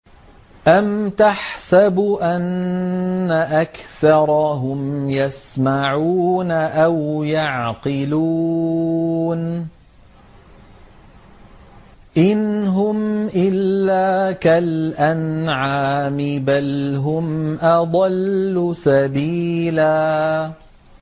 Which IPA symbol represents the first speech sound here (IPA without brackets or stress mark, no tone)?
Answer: ʔ